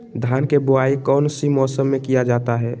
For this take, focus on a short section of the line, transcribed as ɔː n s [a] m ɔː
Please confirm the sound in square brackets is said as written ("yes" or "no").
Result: no